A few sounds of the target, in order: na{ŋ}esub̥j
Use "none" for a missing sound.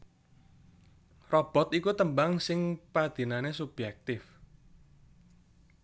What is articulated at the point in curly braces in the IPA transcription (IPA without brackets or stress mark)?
n